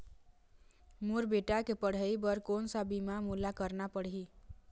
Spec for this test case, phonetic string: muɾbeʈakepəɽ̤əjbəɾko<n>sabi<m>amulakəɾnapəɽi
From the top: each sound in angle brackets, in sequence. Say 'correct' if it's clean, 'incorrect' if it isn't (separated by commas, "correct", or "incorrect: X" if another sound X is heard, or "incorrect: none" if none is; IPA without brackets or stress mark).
correct, correct